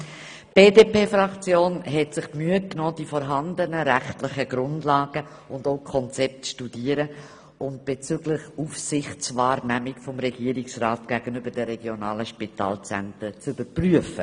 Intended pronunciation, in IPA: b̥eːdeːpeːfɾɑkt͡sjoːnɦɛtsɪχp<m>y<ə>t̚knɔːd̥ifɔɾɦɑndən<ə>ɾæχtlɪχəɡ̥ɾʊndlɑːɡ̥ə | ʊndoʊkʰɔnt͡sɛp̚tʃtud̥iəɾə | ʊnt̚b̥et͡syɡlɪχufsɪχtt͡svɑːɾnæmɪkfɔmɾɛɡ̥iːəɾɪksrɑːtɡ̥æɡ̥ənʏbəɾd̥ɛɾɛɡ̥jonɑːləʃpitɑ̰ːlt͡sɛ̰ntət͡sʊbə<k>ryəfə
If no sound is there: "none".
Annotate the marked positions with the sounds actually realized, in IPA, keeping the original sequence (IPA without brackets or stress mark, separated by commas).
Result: m, ə, ə, p